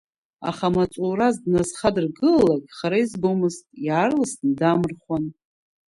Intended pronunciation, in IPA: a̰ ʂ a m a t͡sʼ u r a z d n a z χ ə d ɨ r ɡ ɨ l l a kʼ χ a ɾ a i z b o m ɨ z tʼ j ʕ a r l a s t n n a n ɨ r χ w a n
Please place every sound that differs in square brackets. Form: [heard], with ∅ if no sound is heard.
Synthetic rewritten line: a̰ [χ] a m a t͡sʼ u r a z d n a z χ [a] d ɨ r ɡ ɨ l l a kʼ χ a ɾ a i z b o m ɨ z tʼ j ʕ a r l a s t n [d] a [m] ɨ r χ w a n

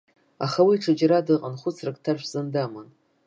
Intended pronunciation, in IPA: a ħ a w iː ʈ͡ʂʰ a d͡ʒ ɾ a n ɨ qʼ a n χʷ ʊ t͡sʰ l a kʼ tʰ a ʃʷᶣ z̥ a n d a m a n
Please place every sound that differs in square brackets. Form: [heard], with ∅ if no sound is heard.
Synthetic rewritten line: a [χ] a w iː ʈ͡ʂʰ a d͡ʒ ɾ a [d] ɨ qʼ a n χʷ ʊ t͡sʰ [r] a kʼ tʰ a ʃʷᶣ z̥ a n d a m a n

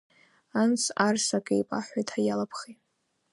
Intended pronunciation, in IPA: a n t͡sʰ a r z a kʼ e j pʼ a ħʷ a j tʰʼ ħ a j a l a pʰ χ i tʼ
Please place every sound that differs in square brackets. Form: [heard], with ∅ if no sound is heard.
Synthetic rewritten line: a n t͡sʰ a r [s] a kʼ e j pʼ a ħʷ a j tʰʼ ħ a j a l a pʰ χ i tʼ

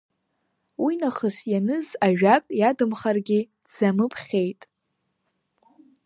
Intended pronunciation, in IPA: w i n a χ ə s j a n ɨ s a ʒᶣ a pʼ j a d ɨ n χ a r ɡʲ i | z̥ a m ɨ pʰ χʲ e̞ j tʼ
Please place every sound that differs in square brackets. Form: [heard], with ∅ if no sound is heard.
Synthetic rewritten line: w i n a χ ə s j a n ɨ [z] a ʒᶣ a [kʼ] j a d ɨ [m] χ a r ɡʲ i | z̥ a m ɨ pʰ χʲ e̞ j tʼ

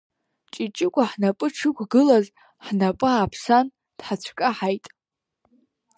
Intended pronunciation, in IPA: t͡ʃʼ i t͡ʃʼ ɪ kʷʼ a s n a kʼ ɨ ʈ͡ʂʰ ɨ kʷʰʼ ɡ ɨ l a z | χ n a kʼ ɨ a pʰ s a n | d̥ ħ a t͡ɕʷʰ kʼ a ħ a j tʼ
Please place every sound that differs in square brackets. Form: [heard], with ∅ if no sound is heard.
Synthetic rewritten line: t͡ʃʼ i t͡ʃʼ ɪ kʷʼ a [ħ] n a [pʼ] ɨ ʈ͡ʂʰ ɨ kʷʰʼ ɡ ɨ l a z | [ħ] n a [pʼ] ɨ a pʰ s a n | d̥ ħ a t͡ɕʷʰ kʼ a ħ a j tʼ

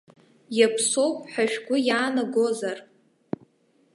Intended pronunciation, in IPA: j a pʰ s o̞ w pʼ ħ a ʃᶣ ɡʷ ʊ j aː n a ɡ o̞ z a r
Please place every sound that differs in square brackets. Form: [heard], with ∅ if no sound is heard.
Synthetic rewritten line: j a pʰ s o̞ w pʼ ħ a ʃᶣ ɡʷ ʊ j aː n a ɡ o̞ z a r

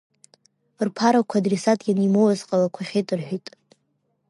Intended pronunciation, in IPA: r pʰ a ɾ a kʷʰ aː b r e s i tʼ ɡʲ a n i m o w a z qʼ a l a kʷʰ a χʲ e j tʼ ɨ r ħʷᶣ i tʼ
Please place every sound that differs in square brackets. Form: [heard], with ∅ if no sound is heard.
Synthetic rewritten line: r pʰ a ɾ a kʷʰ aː [d] r e s [a] tʼ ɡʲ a n i m o w a z qʼ a l a kʷʰ a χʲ e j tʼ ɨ r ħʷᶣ i tʼ

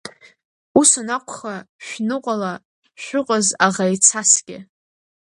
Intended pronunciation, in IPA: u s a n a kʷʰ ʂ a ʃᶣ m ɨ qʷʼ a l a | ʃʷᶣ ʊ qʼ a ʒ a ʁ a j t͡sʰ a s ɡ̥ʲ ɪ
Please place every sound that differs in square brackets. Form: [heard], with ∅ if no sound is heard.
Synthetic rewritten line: u s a n a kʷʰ [χ] a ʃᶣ [n] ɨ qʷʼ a l a | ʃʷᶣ ʊ qʼ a [z] a ʁ a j t͡sʰ a s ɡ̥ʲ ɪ

